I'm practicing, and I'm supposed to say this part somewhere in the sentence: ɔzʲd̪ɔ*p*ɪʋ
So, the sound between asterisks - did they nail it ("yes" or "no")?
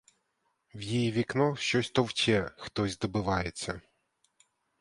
no